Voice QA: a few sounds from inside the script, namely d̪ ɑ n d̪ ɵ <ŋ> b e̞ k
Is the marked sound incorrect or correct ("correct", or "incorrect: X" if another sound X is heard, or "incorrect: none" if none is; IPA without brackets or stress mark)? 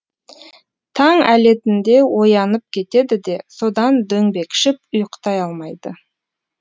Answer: correct